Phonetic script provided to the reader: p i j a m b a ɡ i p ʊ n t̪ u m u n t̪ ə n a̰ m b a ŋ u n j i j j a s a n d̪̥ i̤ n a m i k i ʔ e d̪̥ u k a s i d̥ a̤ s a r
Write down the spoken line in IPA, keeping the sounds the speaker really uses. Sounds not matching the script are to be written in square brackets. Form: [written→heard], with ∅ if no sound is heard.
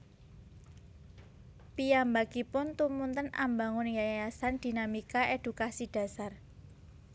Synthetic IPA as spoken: p i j a m b a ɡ i p ʊ n t̪ u m u n t̪ ə n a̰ m b a ŋ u n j [i→a] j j a s a n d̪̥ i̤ n a m i k [i→a] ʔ e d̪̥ u k a s i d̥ a̤ s a r